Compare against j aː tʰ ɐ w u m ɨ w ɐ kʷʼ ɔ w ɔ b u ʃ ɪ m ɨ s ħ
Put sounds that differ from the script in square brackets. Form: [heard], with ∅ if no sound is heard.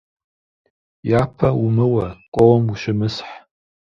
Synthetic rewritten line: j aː [pʰ] ɐ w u m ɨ w ɐ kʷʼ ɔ w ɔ [m] u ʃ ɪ m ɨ s ħ